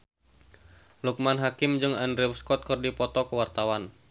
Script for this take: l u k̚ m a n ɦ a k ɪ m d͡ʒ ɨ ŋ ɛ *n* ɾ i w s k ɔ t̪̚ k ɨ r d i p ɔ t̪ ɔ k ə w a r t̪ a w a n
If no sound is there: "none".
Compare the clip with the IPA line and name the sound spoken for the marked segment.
n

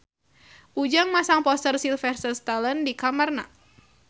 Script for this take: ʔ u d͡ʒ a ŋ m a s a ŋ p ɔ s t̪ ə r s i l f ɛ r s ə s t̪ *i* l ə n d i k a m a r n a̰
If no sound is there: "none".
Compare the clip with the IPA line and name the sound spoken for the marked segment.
a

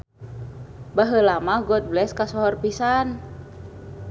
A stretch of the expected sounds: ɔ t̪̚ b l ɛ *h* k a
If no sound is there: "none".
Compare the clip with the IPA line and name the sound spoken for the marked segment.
s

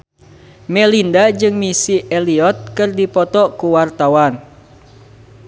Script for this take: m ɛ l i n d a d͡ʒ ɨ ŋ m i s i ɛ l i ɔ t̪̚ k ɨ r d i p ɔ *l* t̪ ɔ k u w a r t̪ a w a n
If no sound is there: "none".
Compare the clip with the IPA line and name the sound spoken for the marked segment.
none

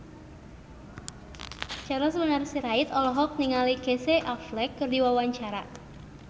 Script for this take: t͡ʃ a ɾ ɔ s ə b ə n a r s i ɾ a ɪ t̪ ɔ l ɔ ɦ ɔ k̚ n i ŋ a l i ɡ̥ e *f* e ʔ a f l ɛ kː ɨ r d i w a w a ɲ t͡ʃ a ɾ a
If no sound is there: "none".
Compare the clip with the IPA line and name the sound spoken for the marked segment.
s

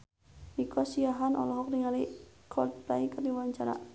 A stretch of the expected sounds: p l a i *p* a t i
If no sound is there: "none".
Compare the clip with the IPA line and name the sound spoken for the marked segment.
k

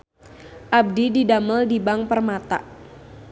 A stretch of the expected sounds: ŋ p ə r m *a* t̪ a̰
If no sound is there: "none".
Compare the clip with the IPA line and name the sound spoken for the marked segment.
a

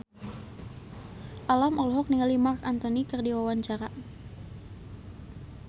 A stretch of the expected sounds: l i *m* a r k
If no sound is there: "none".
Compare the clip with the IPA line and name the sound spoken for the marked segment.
m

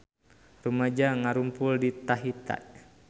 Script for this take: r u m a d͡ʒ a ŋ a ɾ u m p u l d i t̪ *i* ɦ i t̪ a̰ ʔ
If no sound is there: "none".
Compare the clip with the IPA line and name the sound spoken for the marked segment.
a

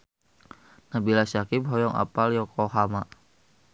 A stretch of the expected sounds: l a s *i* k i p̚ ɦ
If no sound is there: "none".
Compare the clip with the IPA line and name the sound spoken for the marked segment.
a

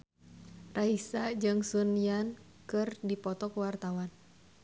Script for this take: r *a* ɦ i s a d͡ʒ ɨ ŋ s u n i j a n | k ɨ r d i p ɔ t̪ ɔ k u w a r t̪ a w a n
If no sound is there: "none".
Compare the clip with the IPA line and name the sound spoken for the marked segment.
a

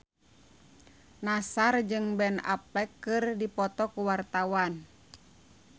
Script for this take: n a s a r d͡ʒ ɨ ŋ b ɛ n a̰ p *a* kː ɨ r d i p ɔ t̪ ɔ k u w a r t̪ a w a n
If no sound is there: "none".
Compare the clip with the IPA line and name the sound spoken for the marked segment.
ɛ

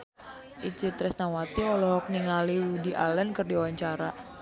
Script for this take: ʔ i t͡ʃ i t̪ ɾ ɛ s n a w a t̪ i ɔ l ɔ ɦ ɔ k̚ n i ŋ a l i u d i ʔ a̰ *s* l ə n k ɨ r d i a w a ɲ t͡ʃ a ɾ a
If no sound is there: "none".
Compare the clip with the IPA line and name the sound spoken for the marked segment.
none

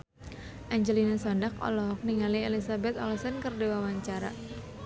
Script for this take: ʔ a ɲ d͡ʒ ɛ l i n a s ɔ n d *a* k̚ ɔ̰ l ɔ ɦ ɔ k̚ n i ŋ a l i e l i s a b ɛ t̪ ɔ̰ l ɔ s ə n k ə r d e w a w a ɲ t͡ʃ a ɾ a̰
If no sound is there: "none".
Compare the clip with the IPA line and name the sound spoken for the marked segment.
a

